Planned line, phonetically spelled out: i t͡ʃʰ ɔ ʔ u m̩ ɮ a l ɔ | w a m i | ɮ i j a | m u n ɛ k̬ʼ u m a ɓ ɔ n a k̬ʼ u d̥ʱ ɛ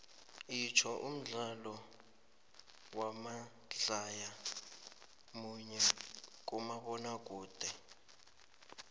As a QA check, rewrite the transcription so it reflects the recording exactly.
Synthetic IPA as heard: i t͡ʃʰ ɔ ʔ u m̩ ɮ a l ɔ | w a m a | ɮ a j a | m u ɲ ɛ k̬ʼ u m a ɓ ɔ n a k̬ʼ uː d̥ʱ ɛ